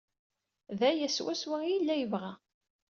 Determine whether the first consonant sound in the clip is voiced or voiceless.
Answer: voiced